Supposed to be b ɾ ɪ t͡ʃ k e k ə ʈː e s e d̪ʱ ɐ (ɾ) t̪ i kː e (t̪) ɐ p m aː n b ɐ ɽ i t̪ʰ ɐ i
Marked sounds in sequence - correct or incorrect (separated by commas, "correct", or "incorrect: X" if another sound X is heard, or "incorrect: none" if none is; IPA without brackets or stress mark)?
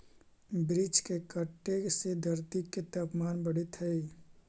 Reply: correct, correct